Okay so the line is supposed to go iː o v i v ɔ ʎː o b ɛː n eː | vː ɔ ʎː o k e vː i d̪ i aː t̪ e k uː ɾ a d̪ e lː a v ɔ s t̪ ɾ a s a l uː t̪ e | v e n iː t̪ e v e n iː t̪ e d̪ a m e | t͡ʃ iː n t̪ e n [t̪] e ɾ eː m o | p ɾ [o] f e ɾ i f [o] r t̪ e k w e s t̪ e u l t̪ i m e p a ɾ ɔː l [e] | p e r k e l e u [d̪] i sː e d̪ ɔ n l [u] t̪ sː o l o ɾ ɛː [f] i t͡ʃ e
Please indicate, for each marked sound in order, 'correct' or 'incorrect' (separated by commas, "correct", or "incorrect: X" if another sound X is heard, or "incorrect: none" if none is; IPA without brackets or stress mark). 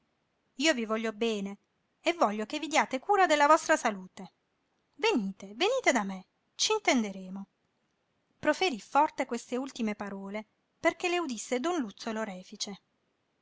incorrect: d̪, correct, incorrect: ɔ, correct, correct, correct, correct